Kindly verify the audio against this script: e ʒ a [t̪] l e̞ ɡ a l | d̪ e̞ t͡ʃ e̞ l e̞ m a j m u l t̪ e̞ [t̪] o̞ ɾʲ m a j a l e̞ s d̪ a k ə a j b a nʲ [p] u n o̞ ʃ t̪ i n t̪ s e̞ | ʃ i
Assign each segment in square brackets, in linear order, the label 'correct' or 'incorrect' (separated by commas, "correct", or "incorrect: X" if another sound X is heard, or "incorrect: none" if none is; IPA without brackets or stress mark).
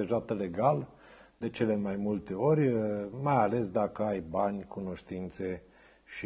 correct, incorrect: none, incorrect: k